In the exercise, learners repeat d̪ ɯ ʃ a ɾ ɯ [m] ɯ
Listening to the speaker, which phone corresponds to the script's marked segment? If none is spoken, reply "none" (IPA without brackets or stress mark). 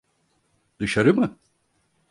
m